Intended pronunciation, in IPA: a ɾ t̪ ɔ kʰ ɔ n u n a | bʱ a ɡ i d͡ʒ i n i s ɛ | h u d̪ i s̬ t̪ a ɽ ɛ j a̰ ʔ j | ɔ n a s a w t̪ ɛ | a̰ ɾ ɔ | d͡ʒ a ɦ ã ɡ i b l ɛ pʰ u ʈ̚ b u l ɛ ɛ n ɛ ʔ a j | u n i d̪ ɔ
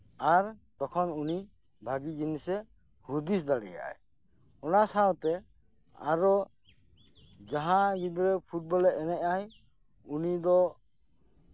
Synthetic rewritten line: a ɾ t̪ ɔ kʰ ɔ n u n i | bʱ a ɡ i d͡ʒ i n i s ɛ | h u d̪ i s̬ d̪ a ɽ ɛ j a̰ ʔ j | ɔ n a s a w t̪ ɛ | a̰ ɾ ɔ | d͡ʒ a ɦ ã ɡ i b ɾ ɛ pʰ u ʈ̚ b ɔ l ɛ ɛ n ɛ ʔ a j | u n i d̪ ɔ

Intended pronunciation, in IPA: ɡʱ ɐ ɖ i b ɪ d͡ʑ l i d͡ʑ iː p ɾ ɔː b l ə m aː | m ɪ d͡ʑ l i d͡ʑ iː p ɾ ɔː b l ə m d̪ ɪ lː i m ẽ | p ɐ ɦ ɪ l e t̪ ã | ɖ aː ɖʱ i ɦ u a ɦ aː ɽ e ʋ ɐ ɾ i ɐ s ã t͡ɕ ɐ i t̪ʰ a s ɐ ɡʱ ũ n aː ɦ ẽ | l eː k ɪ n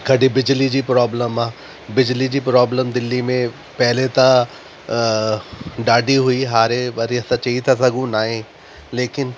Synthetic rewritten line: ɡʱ ɐ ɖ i b ɪ d͡ʑ l i d͡ʑ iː p ɾ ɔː b l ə m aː | b ɪ d͡ʑ l i d͡ʑ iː p ɾ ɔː b l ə m d̪ ɪ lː i m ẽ | p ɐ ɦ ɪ l e t̪ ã | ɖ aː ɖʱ i ɦ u i ɦ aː ɾ e ʋ ɐ ɾ i ɐ s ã t͡ɕ ɐ i t̪ʰ a s ɐ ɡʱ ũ n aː ɦ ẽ | l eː k ɪ n

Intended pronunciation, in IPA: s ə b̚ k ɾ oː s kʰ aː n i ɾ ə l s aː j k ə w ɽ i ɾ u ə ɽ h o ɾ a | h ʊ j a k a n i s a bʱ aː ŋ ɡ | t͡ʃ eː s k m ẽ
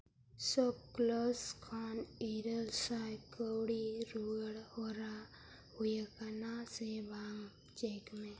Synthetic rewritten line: s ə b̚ k l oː s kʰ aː n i ɾ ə l s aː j k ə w ɽ i ɾ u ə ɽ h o ɾ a | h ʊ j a k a n a s e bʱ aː ŋ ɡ | t͡ʃ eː k m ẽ

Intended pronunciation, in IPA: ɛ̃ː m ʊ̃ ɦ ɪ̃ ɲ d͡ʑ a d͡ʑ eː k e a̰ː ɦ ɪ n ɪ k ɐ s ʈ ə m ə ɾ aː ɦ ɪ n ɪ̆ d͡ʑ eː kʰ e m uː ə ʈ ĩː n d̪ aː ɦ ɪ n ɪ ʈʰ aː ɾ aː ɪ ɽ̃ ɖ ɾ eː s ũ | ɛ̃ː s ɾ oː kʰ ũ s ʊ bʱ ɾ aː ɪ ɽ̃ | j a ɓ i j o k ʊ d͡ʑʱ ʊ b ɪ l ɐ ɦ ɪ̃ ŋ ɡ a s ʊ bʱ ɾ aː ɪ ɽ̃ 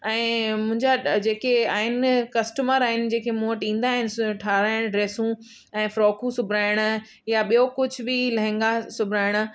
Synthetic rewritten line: ɛ̃ː m ʊ̃ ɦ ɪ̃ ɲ d͡ʑ a d͡ʑ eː k e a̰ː ɦ ɪ n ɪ k ɐ s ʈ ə m ə ɾ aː ɦ ɪ n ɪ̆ d͡ʑ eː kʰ e m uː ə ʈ ĩː n d̪ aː ɦ ɪ n ɪ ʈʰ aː ɾ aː ɪ ɽ̃ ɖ ɾ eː s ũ | ɛ̃ː f ɾ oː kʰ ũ s ʊ bʱ ɾ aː ɪ ɽ̃ | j a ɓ i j o k ʊ d͡ʑʱ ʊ b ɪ l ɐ ɦ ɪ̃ ŋ ɡ a s ʊ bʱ ɾ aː ɪ ɽ̃

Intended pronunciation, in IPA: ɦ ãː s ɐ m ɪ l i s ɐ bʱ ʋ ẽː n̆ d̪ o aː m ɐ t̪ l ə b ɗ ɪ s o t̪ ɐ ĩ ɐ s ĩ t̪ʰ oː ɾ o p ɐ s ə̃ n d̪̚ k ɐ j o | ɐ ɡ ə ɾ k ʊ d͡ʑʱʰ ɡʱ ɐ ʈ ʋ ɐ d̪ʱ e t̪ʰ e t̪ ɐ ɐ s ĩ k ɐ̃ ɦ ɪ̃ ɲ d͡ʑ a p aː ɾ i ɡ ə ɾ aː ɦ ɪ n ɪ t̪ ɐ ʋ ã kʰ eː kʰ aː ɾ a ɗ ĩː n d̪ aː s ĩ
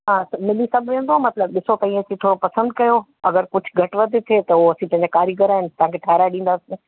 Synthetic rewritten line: ɦ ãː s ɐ m ɪ l i s ɐ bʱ ʋ ẽː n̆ d̪ o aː m ɐ t̪ l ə b ɗ ɪ s o t̪ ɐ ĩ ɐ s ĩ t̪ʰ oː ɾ o p ɐ s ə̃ n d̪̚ k ɐ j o | ɐ ɡ ə ɾ k ʊ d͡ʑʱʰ ɡʱ ɐ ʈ ʋ ɐ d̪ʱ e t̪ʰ e t̪ ɐ ɐ s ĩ p ɐ̃ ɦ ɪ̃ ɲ d͡ʑ a k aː ɾ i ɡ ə ɾ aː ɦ ɪ n ɪ t̪ ɐ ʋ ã kʰ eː ʈʰ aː ɾ a ɗ ĩː n d̪ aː s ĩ

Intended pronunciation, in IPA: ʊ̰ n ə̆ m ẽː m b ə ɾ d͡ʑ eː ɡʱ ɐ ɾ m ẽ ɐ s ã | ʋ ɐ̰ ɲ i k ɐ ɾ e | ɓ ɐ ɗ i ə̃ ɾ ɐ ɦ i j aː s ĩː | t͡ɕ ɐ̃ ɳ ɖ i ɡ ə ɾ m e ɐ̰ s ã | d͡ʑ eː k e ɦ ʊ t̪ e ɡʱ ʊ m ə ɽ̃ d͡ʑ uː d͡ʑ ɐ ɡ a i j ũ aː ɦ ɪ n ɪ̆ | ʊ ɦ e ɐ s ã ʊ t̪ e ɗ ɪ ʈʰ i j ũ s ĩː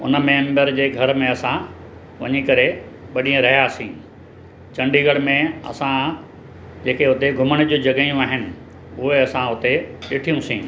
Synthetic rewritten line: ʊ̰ n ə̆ m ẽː m b ə ɾ d͡ʑ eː ɡʱ ɐ ɾ m ẽ ɐ s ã | ʋ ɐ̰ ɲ i k ɐ ɾ e | ɓ ɐ ɗ i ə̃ ɾ ɐ ɦ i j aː s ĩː | t͡ɕ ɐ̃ ɳ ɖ i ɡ ə ɽ m ẽ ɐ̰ s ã | d͡ʑ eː k e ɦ ʊ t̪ e ɡʱ ʊ m ə ɽ̃ d͡ʑ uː d͡ʑ ɐ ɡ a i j ũ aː ɦ ɪ n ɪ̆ | ʊ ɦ e ɐ s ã ʊ t̪ e ɗ ɪ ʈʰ i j ũ s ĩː

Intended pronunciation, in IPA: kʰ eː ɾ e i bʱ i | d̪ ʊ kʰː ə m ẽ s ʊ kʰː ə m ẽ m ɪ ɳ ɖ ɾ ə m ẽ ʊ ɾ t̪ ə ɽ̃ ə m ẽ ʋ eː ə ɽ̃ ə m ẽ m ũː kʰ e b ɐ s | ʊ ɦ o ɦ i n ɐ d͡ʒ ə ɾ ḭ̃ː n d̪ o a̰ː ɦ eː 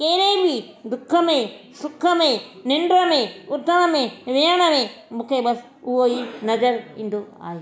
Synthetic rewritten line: k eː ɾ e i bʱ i | d̪ ʊ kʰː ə m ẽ s ʊ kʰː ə m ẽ n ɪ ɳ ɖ ɾ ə m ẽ ʊ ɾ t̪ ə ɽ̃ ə m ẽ ʋ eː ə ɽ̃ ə m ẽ m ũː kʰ e b ɐ s | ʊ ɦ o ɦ i n ɐ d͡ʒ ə ɾ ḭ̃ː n d̪ o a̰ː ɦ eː

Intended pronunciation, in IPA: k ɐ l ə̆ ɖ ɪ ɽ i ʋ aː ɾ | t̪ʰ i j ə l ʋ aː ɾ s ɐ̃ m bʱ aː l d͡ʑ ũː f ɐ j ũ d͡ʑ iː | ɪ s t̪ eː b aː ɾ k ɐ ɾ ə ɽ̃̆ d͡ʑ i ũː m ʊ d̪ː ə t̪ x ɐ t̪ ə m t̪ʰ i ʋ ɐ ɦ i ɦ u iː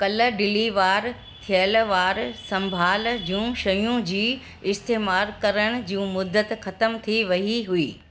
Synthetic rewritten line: k ɐ l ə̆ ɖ ɪ l i ʋ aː ɾ | t̪ʰ i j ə l ʋ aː ɾ s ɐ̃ m bʱ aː l d͡ʑ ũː ʃ ɐ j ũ d͡ʑ iː | ɪ s t̪ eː m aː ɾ k ɐ ɾ ə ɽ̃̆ d͡ʑ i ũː m ʊ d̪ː ə t̪ x ɐ t̪ ə m t̪ʰ i ʋ ɐ ɦ i ɦ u iː

